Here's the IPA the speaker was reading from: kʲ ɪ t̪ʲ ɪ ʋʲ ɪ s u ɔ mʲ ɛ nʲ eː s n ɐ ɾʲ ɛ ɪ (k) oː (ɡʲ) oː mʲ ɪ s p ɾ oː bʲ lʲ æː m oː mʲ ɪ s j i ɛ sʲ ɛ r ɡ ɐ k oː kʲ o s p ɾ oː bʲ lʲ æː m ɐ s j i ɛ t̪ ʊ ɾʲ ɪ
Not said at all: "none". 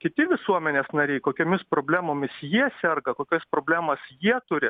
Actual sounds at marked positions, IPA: k, kʲ

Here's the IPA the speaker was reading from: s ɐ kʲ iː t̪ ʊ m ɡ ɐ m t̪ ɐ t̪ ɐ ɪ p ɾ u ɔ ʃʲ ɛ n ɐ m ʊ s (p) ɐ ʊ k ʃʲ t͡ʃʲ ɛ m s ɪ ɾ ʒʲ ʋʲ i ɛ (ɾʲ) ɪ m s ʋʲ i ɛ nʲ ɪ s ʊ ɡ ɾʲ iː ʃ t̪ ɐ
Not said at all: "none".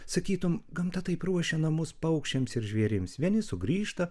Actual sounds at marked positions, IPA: p, ɾʲ

